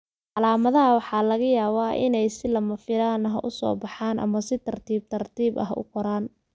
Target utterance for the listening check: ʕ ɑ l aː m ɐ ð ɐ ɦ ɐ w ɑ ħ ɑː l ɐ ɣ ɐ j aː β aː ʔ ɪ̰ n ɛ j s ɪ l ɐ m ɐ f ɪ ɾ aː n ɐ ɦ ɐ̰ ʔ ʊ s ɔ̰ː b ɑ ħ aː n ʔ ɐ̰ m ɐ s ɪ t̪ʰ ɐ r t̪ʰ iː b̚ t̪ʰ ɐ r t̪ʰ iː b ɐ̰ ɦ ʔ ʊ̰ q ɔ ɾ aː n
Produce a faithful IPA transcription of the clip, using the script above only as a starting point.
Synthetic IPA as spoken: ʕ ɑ l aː m ɐ ð ɐ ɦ ɐ w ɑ ħ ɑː l ɐ ɣ ɐ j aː β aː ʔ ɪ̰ n ɛ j s ɪ l ɐ m ɐ f ɪ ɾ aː n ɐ ɦ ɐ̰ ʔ ʊ s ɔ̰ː b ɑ ħ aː n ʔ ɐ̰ m ɐ s ɪ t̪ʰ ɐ r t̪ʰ iː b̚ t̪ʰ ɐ r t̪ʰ iː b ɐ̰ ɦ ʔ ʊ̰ q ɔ ɾ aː n